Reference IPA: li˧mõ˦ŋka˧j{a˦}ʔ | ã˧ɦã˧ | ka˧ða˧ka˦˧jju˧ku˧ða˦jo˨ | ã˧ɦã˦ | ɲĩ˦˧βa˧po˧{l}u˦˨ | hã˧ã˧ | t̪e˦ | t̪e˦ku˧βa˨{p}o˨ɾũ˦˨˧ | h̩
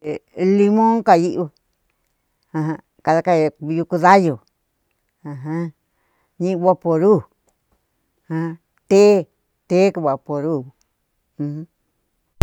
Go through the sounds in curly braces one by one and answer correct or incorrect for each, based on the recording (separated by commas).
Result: incorrect, incorrect, correct